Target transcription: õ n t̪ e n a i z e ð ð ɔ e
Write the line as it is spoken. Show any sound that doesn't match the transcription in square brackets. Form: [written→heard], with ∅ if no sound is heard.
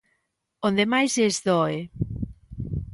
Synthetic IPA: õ n [t̪→d̪] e [n→m] a [i→j] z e [ð→z] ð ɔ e

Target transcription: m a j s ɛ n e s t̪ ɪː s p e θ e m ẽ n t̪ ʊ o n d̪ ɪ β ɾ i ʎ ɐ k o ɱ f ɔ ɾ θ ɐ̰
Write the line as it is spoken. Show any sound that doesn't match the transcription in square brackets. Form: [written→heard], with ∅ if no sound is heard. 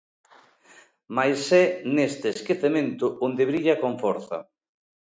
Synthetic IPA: m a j s ɛ n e s t̪ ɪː s [p→k] e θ e m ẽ n t̪ ʊ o n d̪ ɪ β ɾ i ʎ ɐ k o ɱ f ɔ ɾ θ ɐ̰

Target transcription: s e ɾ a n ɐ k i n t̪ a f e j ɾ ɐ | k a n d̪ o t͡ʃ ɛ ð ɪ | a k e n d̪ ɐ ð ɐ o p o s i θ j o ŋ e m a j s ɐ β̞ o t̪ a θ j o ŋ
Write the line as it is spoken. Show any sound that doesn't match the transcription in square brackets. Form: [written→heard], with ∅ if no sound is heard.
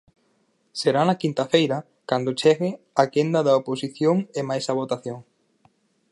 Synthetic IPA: s e ɾ a n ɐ k i n t̪ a f e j ɾ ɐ | k a n d̪ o t͡ʃ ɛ [ð→ɣ] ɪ | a k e n d̪ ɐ ð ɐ o p o s i θ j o ŋ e m a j s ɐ β̞ o t̪ a θ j o ŋ

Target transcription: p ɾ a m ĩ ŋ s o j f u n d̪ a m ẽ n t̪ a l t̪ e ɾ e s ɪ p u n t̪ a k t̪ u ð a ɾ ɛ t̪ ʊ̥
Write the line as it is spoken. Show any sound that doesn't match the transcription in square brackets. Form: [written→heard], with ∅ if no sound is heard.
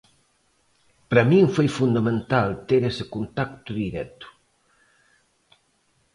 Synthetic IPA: p ɾ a m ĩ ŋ [s→f] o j f u n d̪ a m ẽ n t̪ a l t̪ e ɾ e s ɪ [p→k] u n t̪ a k t̪ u ð [a→i] ɾ ɛ t̪ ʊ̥

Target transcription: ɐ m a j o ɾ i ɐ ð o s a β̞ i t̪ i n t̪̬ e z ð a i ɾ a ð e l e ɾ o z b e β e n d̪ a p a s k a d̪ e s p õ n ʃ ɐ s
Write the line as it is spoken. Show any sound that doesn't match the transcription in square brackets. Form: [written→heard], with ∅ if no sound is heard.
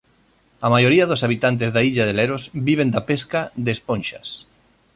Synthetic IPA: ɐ m a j o ɾ i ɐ ð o s a β̞ i t̪ [i→a] n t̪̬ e z ð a i [ɾ→ʎ] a ð e l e ɾ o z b [e→i] β e n d̪ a p [a→e] s k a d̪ e s p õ n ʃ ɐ s

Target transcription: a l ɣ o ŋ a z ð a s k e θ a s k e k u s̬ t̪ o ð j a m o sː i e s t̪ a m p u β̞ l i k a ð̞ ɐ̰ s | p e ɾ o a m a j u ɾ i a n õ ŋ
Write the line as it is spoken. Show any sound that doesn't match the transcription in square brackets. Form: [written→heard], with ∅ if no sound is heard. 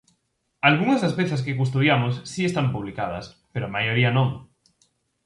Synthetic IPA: a l ɣ [o→u] ŋ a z ð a s [k→p] e θ a s k e k u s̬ t̪ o ð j a m o sː i e s t̪ a m p u β̞ l i k a ð̞ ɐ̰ s | p e ɾ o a m a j [u→o] ɾ i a n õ ŋ

